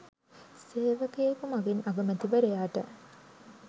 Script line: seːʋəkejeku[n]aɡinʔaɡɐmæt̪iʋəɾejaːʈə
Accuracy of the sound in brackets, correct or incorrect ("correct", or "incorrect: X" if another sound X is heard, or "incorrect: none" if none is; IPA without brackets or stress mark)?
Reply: incorrect: m